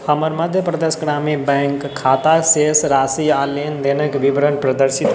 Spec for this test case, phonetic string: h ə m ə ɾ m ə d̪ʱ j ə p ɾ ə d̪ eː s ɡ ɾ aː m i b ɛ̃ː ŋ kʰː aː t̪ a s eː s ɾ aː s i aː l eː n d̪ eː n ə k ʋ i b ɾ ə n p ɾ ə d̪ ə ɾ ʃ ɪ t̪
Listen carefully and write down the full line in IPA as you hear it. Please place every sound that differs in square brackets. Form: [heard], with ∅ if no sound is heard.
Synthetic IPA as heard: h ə m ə ɾ m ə d̪ʱ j ə p ɾ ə d̪ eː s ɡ ɾ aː m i b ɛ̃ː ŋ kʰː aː t̪ a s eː s ɾ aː s i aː l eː n d̪ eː n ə k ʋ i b ɾ ə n p ɾ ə d̪ ə ɾ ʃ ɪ t̪